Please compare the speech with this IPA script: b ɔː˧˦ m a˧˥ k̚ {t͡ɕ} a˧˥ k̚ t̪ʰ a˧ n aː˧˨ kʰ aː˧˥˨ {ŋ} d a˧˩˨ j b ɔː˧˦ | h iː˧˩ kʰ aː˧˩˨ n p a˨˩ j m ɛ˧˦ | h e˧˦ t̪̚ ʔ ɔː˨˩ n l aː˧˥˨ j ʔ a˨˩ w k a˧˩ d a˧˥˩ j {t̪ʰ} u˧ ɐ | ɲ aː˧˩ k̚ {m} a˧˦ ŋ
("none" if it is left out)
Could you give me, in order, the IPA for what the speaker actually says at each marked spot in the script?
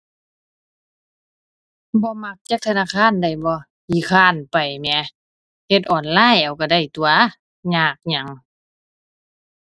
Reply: t͡ɕ, n, t̪, ɲ

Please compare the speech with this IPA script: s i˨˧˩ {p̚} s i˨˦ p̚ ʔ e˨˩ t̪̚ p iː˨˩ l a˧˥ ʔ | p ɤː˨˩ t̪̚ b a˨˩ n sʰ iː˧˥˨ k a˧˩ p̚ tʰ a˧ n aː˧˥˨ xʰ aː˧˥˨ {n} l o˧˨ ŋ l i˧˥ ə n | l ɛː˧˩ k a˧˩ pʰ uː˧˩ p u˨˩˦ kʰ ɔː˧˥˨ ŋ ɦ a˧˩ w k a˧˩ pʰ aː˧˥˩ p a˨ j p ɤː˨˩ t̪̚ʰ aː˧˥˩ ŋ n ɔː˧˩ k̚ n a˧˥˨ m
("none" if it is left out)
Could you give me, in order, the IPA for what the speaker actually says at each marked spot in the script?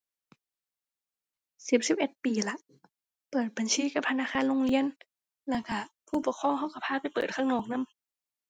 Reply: p̚, n

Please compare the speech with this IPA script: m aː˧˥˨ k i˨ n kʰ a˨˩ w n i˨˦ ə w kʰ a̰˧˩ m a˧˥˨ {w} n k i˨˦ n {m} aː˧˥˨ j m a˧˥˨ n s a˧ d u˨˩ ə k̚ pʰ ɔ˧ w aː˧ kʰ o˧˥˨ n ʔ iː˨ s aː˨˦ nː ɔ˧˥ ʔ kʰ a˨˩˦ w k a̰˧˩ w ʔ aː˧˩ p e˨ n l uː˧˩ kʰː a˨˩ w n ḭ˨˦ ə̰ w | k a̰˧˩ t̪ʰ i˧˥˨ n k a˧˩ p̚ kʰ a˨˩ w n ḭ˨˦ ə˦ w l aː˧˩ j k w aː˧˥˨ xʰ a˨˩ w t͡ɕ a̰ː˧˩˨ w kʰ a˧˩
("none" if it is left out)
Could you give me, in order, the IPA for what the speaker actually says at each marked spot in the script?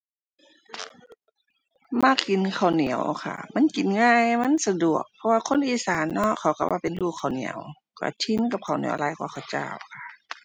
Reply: none, ŋ

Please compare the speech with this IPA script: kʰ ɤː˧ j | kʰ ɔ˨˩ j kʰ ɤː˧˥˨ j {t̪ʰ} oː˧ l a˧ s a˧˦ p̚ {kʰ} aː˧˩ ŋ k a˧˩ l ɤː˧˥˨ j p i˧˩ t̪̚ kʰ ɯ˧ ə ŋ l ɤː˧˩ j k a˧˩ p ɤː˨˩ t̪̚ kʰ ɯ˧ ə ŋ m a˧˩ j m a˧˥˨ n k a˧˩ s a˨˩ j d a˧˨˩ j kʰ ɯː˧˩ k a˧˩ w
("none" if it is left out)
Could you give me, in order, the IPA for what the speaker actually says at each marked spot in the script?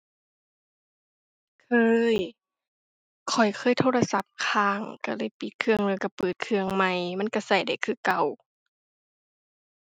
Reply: t̪ʰ, kʰ

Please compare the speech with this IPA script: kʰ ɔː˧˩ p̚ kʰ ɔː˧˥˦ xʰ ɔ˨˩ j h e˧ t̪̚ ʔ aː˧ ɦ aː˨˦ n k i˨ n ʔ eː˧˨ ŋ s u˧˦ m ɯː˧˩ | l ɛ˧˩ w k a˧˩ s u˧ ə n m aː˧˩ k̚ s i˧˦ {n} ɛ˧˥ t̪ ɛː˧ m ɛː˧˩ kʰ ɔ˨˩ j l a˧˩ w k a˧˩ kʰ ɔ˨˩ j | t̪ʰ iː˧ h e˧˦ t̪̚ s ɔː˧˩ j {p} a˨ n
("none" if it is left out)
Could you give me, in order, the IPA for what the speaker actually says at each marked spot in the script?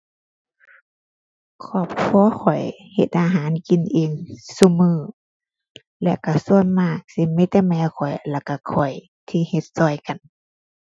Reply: m, k

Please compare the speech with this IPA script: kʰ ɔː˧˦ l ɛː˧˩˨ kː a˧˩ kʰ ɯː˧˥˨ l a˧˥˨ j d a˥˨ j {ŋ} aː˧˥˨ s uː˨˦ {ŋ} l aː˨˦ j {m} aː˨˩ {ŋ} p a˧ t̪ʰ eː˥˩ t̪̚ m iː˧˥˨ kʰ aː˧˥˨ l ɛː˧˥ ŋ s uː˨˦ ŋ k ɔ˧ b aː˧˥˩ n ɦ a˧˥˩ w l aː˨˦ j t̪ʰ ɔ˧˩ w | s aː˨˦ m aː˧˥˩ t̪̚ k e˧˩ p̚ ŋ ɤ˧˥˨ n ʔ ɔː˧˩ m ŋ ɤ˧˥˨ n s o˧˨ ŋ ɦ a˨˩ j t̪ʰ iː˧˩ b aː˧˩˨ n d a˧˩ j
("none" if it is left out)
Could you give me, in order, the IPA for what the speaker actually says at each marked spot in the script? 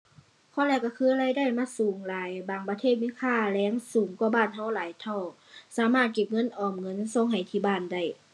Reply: m, ŋ, b, ŋ

